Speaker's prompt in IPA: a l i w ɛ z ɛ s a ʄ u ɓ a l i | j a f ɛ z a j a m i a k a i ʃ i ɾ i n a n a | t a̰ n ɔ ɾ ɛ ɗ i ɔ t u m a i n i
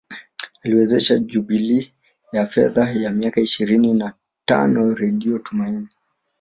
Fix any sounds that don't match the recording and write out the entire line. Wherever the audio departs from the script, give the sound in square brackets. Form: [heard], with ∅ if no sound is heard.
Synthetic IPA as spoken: a l i w ɛ z ɛ [ʃ] a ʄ u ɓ [i] l i | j a f ɛ [ð] a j a m i a k a i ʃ i ɾ i n [i] n a | t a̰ n ɔ ɾ ɛ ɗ i ɔ t u m a i n i